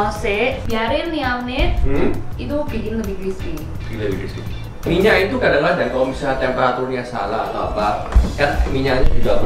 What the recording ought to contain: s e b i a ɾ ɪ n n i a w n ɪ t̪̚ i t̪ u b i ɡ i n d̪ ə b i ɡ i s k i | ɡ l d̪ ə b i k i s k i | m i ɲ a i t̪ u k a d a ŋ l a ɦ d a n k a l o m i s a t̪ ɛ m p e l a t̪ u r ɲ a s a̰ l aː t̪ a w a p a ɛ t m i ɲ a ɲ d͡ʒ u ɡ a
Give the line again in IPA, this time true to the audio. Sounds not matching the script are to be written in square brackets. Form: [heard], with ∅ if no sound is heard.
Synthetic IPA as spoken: s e b i a ɾ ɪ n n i a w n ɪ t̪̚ i t̪ u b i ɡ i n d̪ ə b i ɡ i s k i | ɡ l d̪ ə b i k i s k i | m i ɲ a i t̪ u k a d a ŋ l a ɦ d a n k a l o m i s a t̪ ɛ m p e [ɾ] a t̪ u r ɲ a s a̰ l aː t̪ a w a p a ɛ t m i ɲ a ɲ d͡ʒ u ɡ a